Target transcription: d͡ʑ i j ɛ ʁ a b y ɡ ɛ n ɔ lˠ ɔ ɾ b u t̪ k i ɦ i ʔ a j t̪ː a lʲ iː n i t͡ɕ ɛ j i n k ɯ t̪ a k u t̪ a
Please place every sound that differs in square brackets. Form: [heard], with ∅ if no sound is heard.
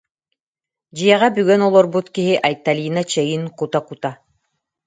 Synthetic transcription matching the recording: d͡ʑ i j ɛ ʁ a b y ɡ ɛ n ɔ lˠ ɔ ɾ b u t̪ k i ɦ i ʔ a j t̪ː a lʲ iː n [a] t͡ɕ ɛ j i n k [u] t̪ a k u t̪ a